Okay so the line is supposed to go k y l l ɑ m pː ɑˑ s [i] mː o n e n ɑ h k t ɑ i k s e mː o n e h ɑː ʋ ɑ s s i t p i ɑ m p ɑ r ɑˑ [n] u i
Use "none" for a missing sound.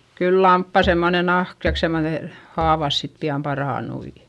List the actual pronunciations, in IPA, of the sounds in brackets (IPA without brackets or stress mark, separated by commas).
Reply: e, n